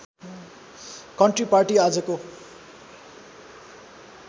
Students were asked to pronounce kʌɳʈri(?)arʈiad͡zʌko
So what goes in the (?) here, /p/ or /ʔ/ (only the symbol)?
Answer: p